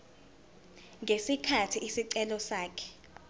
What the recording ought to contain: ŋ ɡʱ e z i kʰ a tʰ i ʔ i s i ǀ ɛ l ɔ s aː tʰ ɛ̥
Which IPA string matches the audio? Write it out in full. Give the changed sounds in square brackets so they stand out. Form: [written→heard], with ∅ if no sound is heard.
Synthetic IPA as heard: ŋ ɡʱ e [z→s] i kʰ a tʰ i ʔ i s i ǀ ɛ l ɔ s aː [tʰ→kʰ] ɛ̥